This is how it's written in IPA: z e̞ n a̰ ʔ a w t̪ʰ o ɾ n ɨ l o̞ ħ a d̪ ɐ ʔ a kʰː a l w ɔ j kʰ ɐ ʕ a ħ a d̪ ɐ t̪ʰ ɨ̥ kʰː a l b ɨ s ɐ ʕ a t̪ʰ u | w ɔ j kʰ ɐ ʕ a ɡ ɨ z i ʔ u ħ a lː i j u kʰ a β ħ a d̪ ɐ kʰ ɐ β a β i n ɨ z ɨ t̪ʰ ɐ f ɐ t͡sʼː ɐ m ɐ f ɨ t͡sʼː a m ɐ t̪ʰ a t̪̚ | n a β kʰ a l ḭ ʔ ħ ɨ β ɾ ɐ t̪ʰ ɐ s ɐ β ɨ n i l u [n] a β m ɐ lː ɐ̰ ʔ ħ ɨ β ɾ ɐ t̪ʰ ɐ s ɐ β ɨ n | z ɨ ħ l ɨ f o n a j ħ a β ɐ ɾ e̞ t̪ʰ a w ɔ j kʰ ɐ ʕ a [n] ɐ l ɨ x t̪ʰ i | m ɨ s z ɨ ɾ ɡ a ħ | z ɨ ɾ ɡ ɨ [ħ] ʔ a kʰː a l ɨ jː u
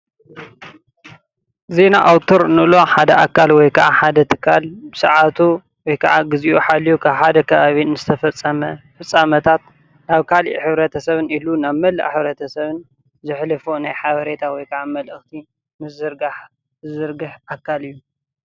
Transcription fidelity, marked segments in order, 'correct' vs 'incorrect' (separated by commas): correct, incorrect, correct